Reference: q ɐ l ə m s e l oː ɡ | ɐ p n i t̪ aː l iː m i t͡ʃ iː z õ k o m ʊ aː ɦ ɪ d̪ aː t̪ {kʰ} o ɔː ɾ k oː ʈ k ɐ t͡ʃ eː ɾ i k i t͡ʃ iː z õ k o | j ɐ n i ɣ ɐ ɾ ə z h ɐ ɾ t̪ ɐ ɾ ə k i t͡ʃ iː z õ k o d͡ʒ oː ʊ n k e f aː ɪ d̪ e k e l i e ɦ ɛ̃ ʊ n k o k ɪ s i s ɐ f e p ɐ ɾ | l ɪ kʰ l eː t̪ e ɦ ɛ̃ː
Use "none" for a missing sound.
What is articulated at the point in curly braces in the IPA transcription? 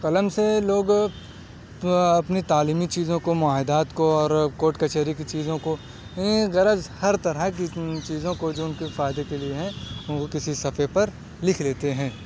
k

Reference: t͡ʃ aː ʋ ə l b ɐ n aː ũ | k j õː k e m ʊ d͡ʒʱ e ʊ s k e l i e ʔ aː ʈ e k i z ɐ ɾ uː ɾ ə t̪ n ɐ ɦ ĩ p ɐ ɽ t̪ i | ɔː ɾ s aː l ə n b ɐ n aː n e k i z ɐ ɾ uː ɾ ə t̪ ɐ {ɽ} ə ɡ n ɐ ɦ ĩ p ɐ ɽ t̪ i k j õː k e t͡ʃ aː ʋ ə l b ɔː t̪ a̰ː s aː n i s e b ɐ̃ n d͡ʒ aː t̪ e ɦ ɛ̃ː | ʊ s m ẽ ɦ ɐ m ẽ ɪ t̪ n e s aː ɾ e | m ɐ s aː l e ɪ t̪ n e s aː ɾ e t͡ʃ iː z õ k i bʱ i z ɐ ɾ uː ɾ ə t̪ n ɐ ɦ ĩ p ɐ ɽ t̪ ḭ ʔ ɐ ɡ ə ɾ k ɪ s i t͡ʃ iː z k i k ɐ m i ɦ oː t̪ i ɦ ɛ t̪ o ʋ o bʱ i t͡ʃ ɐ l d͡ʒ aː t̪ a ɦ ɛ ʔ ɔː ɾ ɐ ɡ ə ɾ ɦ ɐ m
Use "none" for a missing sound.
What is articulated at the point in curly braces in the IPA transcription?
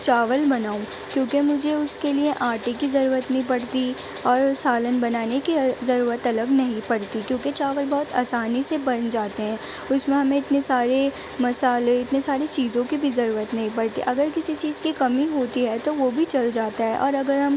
l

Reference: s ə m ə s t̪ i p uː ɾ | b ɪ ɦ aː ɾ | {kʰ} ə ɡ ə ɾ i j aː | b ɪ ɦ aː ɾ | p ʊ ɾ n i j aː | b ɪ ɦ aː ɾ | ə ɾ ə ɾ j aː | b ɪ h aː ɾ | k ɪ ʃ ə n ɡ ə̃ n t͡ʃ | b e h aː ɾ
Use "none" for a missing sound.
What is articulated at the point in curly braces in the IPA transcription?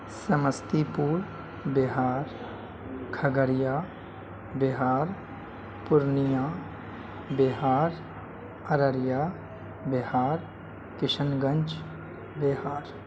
kʰ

